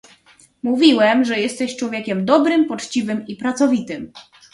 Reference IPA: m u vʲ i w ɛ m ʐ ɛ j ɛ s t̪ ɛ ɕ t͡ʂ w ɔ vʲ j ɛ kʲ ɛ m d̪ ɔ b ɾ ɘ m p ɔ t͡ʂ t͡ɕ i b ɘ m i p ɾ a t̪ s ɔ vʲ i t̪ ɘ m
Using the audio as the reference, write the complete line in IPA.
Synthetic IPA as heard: m u vʲ i w ɛ m ʐ ɛ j ɛ s t̪ ɛ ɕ t͡ʂ w ɔ vʲ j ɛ kʲ ɛ m d̪ ɔ b ɾ ɘ m p ɔ t͡ʂ t͡ɕ i v ɘ m i p ɾ a t̪ s ɔ vʲ i t̪ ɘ m